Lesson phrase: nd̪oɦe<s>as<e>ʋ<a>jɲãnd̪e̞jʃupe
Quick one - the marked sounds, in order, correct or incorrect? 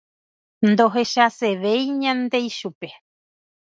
incorrect, correct, incorrect

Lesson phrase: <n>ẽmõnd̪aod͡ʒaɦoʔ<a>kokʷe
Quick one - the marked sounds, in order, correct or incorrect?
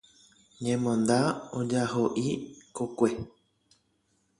incorrect, incorrect

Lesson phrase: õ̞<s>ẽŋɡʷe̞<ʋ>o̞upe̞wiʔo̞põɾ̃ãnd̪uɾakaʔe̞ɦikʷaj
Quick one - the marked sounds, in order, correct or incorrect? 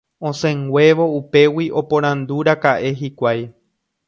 correct, correct

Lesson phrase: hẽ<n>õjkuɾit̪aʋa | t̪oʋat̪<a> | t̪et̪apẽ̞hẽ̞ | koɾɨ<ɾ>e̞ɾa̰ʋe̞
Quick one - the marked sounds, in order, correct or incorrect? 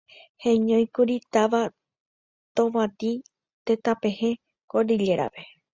incorrect, incorrect, incorrect

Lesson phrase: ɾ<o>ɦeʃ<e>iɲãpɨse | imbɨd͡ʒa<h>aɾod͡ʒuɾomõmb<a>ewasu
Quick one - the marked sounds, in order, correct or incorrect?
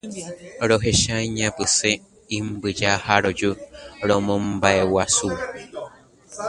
correct, incorrect, correct, correct

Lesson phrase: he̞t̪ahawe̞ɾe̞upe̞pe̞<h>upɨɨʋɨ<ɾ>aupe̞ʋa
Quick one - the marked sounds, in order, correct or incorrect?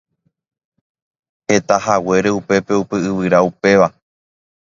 incorrect, correct

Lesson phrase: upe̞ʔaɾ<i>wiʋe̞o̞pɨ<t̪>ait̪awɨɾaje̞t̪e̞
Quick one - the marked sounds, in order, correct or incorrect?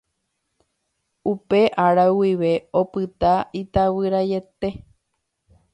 incorrect, correct

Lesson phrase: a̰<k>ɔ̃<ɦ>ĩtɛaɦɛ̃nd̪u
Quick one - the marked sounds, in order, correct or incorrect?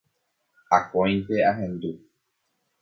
correct, incorrect

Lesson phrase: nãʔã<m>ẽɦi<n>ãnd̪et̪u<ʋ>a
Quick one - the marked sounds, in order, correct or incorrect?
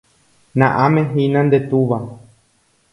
correct, correct, correct

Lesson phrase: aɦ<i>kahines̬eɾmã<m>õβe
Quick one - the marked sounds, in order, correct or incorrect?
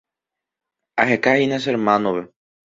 incorrect, incorrect

